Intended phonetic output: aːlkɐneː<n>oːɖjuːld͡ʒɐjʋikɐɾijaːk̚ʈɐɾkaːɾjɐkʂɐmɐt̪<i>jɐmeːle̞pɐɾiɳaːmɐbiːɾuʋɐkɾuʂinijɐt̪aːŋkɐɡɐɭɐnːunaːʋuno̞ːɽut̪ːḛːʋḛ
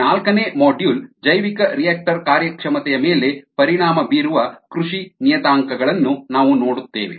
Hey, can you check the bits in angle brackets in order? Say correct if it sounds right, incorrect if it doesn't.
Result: incorrect: m, incorrect: ɛ

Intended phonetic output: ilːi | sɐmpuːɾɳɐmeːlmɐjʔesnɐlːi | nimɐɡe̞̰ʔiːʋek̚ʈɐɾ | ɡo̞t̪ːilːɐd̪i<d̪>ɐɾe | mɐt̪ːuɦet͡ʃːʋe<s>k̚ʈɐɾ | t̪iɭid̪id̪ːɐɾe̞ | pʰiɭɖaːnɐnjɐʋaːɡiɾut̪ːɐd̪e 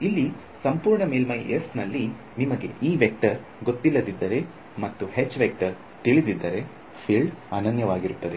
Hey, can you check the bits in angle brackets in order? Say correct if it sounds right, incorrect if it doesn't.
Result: incorrect: d̪ː, incorrect: none

